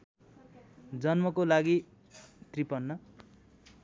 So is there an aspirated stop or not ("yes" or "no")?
no